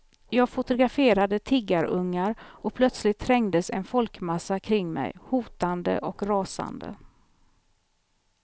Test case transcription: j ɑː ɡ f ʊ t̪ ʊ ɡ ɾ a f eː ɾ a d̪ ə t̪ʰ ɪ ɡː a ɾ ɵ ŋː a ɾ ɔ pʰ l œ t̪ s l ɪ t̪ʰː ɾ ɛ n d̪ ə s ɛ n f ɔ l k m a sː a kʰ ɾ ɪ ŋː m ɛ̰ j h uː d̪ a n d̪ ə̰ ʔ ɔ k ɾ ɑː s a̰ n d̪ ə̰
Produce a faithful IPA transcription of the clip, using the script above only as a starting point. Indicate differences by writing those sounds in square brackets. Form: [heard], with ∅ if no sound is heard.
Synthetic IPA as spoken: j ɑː ɡ f ʊ t̪ ʊ ɡ ɾ a f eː ɾ a d̪ ə t̪ʰ ɪ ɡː a ɾ ɵ ŋː a ɾ ɔ pʰ l œ t̪ s l ɪ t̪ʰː ɾ ɛ [ŋ] d̪ ə s ɛ n f ɔ l k m a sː a kʰ ɾ ɪ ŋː m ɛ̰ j h uː [t̪] a n d̪ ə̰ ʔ ɔ k ɾ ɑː s a̰ n d̪ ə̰

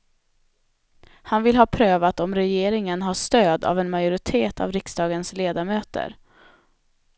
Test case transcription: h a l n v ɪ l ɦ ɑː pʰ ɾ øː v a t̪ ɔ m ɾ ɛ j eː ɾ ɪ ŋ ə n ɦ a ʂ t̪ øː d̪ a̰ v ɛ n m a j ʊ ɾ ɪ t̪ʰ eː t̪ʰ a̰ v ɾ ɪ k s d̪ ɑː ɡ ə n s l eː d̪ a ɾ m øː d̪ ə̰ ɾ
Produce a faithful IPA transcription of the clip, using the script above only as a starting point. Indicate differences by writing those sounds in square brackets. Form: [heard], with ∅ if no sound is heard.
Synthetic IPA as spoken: h a [∅] n v ɪ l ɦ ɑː pʰ ɾ øː v a t̪ ɔ m ɾ ɛ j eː ɾ ɪ ŋ ə n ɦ a ʂ t̪ øː d̪ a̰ v ɛ n m a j ʊ ɾ ɪ t̪ʰ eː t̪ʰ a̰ v ɾ ɪ k s d̪ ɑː ɡ ə n s l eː d̪ a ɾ m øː [t̪] ə̰ ɾ

